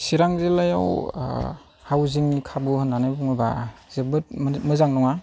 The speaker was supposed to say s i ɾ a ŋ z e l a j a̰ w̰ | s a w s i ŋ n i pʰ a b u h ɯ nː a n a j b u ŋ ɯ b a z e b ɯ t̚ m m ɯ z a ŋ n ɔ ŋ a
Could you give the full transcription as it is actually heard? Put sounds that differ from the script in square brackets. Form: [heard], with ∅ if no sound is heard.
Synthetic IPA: s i ɾ a ŋ z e l a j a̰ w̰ | [h] a w [z] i ŋ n i [kʰ] a b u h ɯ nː a n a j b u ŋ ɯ b a z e b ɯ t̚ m m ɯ z a ŋ n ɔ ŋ a